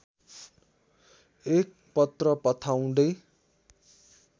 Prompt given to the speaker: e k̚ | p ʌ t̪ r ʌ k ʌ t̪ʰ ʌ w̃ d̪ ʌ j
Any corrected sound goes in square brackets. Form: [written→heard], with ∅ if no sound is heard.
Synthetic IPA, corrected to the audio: e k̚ | p ʌ t̪ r ʌ [k→p] ʌ t̪ʰ [ʌ→a] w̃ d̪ ʌ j